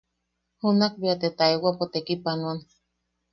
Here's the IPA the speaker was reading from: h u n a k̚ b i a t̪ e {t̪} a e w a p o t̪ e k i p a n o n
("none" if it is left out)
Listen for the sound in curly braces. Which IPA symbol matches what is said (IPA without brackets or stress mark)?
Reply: t̪